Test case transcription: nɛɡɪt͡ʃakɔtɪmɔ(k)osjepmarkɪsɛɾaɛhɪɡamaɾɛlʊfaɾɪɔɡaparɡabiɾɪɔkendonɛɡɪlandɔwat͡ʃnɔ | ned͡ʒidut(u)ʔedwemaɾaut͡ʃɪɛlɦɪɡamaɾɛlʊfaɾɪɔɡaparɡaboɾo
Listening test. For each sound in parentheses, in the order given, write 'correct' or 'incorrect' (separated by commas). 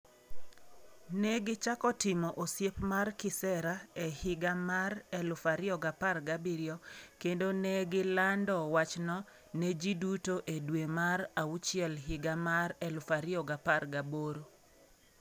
incorrect, incorrect